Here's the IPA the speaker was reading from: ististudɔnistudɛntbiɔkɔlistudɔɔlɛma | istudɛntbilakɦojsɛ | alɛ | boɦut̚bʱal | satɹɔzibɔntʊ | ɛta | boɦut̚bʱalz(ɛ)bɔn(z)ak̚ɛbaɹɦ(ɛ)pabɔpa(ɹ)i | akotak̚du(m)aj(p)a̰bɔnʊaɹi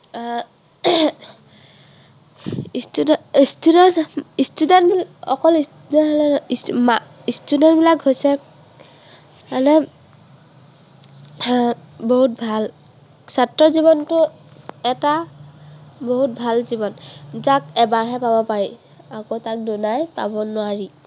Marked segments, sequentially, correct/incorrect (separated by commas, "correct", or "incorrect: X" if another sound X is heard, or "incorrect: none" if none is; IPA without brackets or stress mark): incorrect: i, correct, correct, correct, incorrect: n, correct